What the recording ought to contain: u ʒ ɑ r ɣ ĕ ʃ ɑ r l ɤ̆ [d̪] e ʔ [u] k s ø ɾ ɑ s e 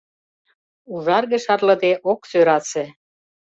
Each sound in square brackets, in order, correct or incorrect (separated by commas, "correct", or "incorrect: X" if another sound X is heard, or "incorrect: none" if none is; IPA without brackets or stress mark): correct, incorrect: o